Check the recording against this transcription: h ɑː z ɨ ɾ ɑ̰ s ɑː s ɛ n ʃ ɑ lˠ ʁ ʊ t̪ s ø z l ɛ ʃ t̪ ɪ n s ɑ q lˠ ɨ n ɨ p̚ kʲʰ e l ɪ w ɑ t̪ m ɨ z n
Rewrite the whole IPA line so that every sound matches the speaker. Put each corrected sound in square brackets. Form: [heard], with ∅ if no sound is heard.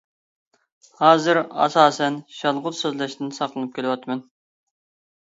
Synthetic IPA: h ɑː z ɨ ɾ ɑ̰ s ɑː s ɛ n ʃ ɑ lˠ ʁ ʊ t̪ s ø z l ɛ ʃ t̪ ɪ n s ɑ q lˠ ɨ n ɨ p̚ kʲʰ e l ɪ w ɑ t̪ m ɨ [∅] n